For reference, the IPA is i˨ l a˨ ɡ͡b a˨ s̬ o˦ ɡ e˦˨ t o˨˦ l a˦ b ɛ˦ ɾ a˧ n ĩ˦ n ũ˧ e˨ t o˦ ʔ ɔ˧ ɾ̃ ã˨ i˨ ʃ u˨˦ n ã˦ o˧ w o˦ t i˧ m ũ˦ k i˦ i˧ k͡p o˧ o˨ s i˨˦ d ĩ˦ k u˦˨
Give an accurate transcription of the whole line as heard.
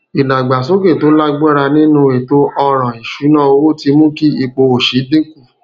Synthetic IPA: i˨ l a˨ ɡ͡b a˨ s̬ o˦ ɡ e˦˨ t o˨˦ l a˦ ɡ͡b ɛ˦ ɾ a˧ n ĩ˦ n ũ˧ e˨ t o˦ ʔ ɔ˧ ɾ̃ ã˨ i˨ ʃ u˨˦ n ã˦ o˧ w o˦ t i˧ m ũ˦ k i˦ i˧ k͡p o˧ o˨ ʃ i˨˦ d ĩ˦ k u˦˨